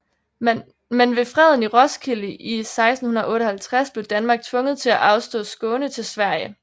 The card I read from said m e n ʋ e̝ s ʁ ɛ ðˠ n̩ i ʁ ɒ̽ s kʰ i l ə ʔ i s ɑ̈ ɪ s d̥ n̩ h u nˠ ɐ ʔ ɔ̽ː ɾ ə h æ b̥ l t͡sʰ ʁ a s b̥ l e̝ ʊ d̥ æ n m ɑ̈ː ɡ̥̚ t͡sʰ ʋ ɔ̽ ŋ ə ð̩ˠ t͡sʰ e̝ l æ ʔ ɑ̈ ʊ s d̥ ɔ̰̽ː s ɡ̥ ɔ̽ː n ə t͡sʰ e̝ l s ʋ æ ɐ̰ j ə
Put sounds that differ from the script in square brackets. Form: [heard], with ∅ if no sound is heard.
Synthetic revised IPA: m e n ʋ e̝ [f] ʁ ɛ ðˠ n̩ i ʁ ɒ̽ s kʰ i l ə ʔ i s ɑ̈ ɪ s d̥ n̩ h u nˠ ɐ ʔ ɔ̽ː ɾ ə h æ [∅] l t͡sʰ ʁ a s b̥ l e̝ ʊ d̥ æ n m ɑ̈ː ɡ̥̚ t͡sʰ ʋ ɔ̽ ŋ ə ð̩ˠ t͡sʰ e̝ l æ ʔ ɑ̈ ʊ s d̥ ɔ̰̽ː s ɡ̥ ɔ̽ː n ə t͡sʰ e̝ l s ʋ æ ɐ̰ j ə

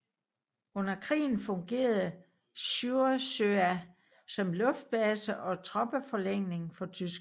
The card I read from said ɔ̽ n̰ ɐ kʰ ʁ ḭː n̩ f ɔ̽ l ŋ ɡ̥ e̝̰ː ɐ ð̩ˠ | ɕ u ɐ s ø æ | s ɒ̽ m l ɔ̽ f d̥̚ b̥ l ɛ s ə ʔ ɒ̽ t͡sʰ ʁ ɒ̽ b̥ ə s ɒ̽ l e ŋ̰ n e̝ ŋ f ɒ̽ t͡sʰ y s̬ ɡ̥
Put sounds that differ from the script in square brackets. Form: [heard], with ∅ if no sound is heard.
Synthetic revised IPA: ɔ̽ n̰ ɐ kʰ ʁ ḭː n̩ f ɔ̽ [∅] ŋ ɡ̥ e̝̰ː ɐ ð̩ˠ | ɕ u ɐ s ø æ | s ɒ̽ m l ɔ̽ f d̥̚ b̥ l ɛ s ə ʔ ɒ̽ t͡sʰ ʁ ɒ̽ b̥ ə [f] ɒ̽ l e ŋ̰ n e̝ ŋ f ɒ̽ t͡sʰ y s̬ ɡ̥

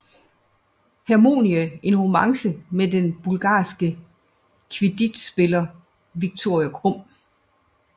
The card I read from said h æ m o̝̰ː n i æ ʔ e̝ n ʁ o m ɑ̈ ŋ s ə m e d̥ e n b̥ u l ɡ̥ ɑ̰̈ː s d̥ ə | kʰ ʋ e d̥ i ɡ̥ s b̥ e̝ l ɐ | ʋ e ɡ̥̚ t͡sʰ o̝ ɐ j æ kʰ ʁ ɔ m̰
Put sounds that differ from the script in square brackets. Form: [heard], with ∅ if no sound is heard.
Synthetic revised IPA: h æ m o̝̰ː n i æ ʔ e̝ n ʁ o m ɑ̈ ŋ s ə m e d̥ e n b̥ u l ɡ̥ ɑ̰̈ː s [ɡ̥] ə | kʰ ʋ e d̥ i [d̥] s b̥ e̝ l ɐ | ʋ [i] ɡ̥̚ t͡sʰ o̝ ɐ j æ kʰ ʁ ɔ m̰

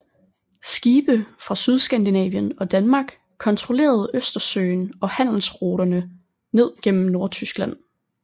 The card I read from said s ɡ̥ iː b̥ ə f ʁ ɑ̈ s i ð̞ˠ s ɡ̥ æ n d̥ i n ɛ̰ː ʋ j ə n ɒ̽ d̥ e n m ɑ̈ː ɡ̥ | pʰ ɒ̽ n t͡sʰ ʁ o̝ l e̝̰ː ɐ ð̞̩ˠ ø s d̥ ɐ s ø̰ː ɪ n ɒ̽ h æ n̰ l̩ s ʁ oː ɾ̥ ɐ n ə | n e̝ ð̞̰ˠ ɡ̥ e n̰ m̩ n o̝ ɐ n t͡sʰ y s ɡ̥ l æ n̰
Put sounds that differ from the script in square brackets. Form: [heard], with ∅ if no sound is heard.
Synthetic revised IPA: s ɡ̥ iː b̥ ə f ʁ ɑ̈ s [y] ð̞ˠ s ɡ̥ æ n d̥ i n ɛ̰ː ʋ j ə n ɒ̽ d̥ [æ] n m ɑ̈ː ɡ̥ | [kʰ] ɒ̽ n t͡sʰ ʁ o̝ l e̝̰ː ɐ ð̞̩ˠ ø s d̥ ɐ s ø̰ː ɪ n ɒ̽ h æ n̰ l̩ s ʁ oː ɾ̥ ɐ n ə | n e̝ ð̞̰ˠ ɡ̥ e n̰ m̩ n o̝ ɐ [∅] t͡sʰ y s ɡ̥ l æ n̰

